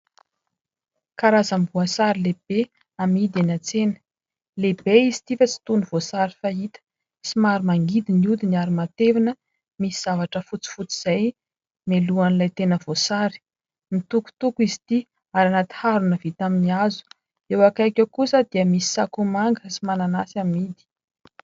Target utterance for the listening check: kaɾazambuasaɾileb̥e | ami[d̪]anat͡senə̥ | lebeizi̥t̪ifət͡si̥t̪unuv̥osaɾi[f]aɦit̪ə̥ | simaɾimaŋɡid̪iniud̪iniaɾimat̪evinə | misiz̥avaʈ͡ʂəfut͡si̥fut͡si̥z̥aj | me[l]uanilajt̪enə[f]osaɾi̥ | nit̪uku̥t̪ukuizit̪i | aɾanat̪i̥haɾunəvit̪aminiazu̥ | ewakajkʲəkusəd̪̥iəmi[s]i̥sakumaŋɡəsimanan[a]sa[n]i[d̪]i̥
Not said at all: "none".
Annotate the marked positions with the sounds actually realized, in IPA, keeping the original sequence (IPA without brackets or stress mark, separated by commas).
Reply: d̪, f, l, v, s, a, m, d̪